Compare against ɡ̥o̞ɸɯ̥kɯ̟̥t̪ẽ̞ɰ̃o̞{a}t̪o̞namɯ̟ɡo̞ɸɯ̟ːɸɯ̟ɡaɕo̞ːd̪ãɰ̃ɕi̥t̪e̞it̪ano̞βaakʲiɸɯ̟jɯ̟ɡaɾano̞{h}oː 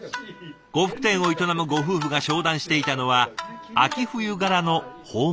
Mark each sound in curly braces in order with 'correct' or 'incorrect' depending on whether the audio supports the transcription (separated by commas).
incorrect, correct